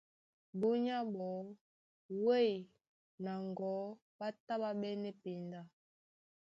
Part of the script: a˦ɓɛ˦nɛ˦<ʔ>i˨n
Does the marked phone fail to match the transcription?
yes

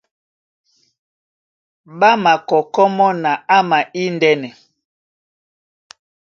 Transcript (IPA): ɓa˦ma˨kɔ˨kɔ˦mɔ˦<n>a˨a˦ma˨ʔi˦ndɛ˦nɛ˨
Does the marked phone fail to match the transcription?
no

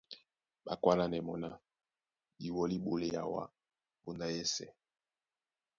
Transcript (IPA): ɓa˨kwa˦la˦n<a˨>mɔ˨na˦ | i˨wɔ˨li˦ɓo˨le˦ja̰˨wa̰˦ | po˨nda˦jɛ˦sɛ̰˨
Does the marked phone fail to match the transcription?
yes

